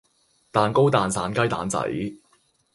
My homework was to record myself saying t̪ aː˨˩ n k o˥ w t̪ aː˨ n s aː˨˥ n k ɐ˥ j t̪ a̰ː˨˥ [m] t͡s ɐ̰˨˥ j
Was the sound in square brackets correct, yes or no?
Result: no